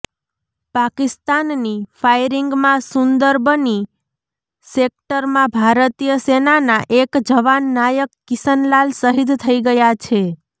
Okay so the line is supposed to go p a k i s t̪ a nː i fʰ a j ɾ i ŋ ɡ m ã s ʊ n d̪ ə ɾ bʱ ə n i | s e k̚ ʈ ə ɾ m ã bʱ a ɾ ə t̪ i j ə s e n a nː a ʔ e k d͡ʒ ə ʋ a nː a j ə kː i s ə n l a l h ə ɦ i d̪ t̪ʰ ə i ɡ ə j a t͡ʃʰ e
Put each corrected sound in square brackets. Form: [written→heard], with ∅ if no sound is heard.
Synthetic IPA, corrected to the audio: p a k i s t̪ a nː i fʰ a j ɾ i ŋ ɡ m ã s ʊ n d̪ ə ɾ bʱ ə n i | s e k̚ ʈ ə ɾ m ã bʱ a ɾ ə t̪ i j ə s e n a [nː→n] a ʔ e k d͡ʒ ə ʋ a nː a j ə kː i s ə n l a l [h→s] ə ɦ i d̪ t̪ʰ ə i ɡ ə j a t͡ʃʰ e